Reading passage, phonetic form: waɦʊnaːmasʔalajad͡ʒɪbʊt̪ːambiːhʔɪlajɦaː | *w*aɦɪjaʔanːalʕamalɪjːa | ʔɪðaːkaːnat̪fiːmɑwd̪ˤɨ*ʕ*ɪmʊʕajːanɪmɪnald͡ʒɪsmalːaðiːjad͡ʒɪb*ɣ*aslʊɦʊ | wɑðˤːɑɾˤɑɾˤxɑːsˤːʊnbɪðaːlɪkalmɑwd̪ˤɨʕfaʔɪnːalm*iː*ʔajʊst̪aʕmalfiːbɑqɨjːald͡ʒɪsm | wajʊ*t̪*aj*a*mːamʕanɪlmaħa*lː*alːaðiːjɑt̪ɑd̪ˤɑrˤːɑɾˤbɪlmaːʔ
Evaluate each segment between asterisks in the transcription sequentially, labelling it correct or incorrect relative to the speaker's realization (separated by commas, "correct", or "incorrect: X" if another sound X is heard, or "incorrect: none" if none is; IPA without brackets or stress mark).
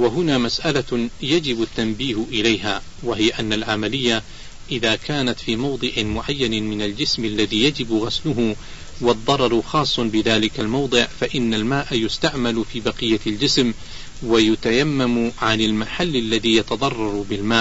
correct, correct, correct, incorrect: aː, correct, correct, correct